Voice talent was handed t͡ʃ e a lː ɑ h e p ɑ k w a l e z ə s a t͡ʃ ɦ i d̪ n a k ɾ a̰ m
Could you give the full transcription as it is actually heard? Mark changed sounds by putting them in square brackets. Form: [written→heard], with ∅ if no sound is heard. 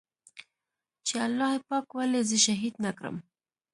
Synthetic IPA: t͡ʃ e a lː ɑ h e p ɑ k w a l e z ə [s→ʃ] a [t͡ʃ→∅] ɦ i d̪ n a k ɾ [a̰→ə̰] m